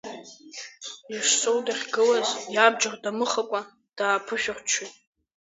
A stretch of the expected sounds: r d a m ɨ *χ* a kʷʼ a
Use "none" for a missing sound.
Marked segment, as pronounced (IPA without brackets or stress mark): χ